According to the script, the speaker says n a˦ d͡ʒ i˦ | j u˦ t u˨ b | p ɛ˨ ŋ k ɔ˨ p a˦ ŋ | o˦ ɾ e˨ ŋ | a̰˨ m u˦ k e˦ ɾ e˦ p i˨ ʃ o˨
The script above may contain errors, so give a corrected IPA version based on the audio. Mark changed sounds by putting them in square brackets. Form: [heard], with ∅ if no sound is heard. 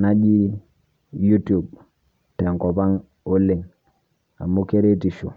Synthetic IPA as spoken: n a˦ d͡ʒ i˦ | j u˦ t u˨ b | [t] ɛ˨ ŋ k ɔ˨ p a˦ ŋ | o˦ [l] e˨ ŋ | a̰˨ m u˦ k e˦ ɾ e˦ [t] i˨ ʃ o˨